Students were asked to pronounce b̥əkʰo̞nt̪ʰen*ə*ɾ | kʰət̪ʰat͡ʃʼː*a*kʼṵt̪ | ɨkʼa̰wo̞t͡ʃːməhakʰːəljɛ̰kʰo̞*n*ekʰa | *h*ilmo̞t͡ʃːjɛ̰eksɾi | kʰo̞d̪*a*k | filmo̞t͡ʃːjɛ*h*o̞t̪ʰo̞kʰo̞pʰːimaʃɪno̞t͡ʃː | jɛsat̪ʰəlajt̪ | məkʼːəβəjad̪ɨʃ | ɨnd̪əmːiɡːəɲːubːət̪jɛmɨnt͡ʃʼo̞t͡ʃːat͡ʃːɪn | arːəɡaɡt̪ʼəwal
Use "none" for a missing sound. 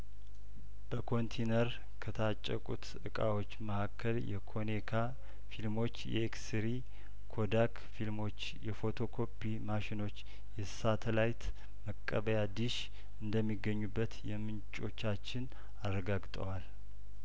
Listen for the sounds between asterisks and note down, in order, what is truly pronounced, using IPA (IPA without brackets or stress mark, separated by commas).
ə, ə, n, f, a, f